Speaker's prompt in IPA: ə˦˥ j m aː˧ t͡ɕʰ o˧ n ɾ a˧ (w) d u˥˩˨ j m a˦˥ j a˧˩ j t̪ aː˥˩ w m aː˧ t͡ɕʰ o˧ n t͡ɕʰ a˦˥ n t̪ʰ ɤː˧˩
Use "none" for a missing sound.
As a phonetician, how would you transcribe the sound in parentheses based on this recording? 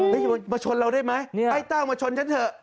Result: w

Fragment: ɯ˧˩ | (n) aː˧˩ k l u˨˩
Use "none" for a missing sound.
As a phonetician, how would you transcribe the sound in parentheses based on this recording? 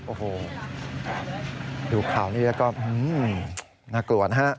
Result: n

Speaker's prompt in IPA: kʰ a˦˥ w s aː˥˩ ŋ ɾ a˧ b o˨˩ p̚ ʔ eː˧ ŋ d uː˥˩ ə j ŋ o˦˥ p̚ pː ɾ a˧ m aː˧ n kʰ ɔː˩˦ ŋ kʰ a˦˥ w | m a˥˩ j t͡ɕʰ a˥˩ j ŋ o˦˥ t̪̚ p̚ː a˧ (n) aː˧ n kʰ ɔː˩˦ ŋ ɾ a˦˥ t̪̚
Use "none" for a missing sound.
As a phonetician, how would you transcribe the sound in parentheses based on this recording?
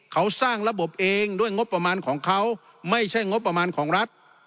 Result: m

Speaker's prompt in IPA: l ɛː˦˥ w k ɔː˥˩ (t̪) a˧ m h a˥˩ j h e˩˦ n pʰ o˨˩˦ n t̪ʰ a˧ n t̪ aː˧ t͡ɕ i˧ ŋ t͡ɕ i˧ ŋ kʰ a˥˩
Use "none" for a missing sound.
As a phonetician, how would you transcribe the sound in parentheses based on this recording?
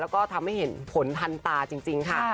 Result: t̪ʰ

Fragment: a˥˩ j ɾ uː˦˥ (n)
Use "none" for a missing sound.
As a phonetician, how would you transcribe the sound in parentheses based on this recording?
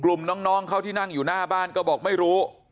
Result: none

